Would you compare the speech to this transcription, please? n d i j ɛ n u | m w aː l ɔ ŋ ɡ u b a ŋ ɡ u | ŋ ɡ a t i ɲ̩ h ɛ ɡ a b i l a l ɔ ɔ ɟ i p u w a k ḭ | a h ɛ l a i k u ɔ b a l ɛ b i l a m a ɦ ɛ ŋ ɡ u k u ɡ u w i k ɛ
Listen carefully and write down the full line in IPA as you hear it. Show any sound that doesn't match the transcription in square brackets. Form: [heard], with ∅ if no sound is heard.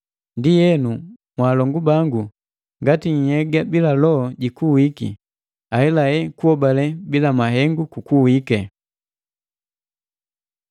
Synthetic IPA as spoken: n d i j ɛ n u | m w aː l ɔ ŋ ɡ u b a ŋ ɡ u | ŋ ɡ a t i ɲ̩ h ɛ ɡ a b i l a l ɔ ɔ ɟ i [k] u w [i] k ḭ | a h ɛ l a [ɛ] k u ɔ b a l ɛ b i l a m a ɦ ɛ ŋ ɡ u k u [k] u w i k ɛ